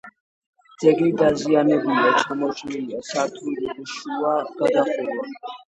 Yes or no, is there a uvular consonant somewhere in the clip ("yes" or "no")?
yes